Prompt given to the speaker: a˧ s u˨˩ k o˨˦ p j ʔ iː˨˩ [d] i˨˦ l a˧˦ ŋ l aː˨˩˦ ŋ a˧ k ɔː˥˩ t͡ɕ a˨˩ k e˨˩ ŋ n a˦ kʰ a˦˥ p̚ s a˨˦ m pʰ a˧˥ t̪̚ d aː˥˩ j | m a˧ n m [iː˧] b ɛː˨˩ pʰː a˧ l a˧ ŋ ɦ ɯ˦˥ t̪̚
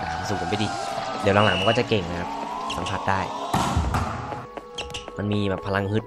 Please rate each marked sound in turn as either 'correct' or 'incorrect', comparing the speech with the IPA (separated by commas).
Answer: correct, correct